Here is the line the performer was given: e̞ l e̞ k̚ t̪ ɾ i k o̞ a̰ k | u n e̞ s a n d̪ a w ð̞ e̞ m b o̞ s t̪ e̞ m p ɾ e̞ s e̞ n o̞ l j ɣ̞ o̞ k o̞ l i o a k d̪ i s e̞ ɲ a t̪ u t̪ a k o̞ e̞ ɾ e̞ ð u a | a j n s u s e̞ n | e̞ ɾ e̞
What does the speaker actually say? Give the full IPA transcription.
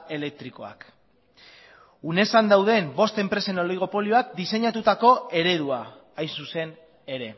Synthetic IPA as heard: e̞ l e̞ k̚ t̪ ɾ i k o̞ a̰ k | u n e̞ s a n d̪ a w ð̞ e̞ m b o̞ s t̪ e̞ m p ɾ e̞ s e̞ n o̞ l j ɣ̞ o̞ p o̞ l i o a k d̪ i s e̞ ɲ a t̪ u t̪ a k o̞ e̞ ɾ e̞ ð u a | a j n s u s e̞ n | e̞ ɾ e̞